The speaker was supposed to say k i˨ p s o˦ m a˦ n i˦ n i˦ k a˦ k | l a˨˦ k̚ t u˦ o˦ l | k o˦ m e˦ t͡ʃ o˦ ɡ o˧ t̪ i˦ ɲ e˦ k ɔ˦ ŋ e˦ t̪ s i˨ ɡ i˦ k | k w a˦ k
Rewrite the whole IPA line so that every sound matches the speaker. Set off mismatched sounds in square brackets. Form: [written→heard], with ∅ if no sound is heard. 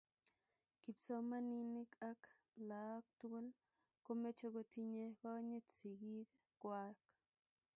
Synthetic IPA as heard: k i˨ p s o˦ m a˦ n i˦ n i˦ k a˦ k | l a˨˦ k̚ t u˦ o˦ l | k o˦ m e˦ t͡ʃ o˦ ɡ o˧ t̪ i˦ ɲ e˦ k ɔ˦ [ŋ→ɲ] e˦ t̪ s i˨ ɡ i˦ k | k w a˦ k